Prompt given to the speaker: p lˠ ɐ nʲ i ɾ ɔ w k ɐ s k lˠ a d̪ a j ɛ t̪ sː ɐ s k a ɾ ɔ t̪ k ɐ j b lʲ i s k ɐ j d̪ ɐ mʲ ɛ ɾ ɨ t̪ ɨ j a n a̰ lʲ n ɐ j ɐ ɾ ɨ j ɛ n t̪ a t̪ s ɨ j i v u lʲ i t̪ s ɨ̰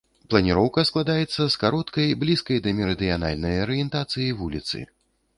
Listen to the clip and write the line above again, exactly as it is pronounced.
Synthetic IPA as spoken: p lˠ ɐ nʲ i ɾ ɔ w k ɐ s k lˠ a d̪ a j ɛ t̪ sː ɐ s k a ɾ ɔ t̪ k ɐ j b lʲ i s k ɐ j d̪ ɐ mʲ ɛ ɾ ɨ d̪ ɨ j a n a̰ lʲ n ɐ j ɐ ɾ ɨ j ɛ n t̪ a t̪ s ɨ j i v u lʲ i t̪ s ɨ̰